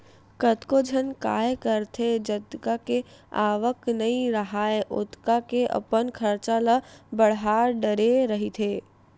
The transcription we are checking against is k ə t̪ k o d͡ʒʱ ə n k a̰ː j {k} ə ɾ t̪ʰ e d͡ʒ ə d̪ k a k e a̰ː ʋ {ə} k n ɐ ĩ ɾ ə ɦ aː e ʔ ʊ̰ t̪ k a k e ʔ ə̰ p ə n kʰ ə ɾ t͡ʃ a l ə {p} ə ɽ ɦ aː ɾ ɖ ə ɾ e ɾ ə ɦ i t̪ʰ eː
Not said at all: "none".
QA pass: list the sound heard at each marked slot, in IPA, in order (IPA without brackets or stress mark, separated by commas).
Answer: k, ə, b